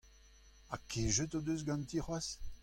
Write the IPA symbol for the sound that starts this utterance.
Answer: a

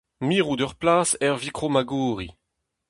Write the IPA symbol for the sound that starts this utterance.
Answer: m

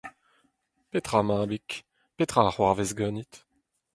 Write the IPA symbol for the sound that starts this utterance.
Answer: p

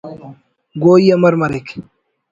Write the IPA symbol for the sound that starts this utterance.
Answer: ɡ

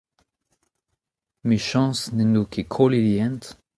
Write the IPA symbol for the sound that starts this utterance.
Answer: m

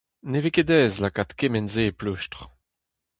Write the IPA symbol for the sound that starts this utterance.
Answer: n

